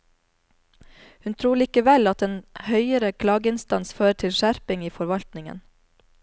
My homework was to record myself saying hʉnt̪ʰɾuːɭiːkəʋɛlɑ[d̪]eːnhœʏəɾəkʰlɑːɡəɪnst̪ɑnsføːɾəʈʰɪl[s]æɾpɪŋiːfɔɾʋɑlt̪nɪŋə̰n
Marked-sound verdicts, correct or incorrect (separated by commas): incorrect, incorrect